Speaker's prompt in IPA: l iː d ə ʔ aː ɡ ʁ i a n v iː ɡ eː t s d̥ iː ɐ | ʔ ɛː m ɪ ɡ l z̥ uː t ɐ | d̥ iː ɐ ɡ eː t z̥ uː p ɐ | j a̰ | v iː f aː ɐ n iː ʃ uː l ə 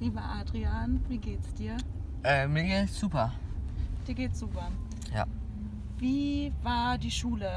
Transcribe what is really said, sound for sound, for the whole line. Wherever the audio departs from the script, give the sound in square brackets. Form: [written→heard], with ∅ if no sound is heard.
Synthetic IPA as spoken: l iː [d→b] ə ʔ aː [ɡ→d] ʁ i a n v iː ɡ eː t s d̥ iː ɐ | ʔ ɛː m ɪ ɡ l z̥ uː [t→p] ɐ | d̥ iː ɐ ɡ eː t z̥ uː p ɐ | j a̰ | v iː [f→v] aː ɐ [n→d] iː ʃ uː l ə